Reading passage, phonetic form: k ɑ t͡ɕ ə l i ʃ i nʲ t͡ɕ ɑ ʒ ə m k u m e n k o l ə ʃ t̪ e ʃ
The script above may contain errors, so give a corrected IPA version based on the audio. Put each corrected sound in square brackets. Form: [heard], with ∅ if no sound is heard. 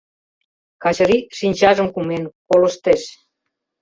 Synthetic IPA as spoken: k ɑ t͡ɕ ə [ɾ] i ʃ i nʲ t͡ɕ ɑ ʒ ə m k u m e n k o l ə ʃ t̪ e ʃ